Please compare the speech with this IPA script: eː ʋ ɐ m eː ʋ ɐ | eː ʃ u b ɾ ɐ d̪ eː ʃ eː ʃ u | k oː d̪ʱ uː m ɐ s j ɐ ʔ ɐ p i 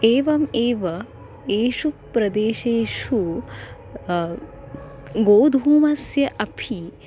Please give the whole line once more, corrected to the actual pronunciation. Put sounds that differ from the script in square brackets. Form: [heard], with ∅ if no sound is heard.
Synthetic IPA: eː ʋ ɐ m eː ʋ ɐ | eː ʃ u [p] ɾ ɐ d̪ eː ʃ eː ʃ u | [ɡ] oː d̪ʱ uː m ɐ s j ɐ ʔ ɐ [pʰ] i

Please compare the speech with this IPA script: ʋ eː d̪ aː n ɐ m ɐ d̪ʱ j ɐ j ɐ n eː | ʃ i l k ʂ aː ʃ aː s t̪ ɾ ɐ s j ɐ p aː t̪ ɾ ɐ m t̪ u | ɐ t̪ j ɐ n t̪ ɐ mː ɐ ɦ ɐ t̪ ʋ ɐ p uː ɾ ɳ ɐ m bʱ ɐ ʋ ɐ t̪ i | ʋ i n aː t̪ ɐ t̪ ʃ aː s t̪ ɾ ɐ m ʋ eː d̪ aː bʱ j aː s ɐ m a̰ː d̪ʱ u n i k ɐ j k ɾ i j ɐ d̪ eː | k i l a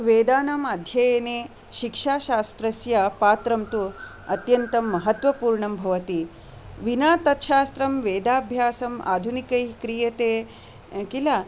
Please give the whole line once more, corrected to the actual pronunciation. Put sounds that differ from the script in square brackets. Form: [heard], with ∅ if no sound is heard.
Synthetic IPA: ʋ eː d̪ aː n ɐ m ɐ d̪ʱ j ɐ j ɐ n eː | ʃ i [∅] k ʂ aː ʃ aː s t̪ ɾ ɐ s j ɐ p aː t̪ ɾ ɐ m t̪ u | ɐ t̪ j ɐ n t̪ ɐ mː ɐ ɦ ɐ t̪ ʋ ɐ p uː ɾ ɳ ɐ m bʱ ɐ ʋ ɐ t̪ i | ʋ i n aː t̪ ɐ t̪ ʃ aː s t̪ ɾ ɐ m ʋ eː d̪ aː bʱ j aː s ɐ m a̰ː d̪ʱ u n i k ɐ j k ɾ i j ɐ [t̪] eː | k i l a

